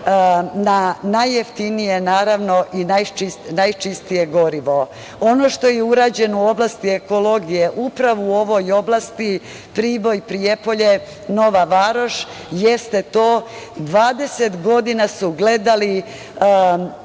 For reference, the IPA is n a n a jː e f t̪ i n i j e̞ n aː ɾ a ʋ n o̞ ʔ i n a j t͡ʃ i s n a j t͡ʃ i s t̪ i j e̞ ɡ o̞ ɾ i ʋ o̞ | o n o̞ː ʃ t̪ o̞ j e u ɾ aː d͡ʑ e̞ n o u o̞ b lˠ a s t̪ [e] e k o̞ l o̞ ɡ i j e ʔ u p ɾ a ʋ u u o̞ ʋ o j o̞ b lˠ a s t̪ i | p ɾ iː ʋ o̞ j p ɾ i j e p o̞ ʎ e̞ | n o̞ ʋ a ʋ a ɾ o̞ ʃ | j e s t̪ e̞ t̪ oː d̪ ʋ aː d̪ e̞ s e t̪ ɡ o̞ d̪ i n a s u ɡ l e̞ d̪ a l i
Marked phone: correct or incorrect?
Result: incorrect